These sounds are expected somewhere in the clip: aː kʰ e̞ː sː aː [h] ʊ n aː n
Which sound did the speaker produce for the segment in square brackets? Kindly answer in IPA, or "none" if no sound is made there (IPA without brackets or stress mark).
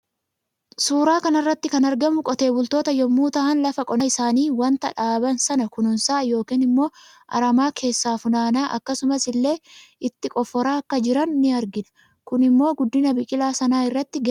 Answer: f